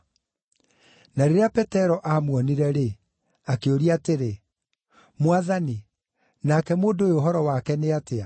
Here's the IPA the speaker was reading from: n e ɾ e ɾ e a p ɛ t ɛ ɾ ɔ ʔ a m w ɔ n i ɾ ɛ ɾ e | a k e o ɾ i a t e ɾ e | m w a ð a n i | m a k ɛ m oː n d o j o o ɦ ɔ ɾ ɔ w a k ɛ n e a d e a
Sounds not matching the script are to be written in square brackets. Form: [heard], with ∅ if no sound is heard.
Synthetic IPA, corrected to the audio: n [a] ɾ e ɾ e a p ɛ t ɛ ɾ ɔ ʔ a m w ɔ n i ɾ ɛ ɾ e | a k e o ɾ i a t e ɾ e | m w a ð a n i | [n] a k ɛ m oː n d o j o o ɦ ɔ ɾ ɔ w a k ɛ n e a [t] e a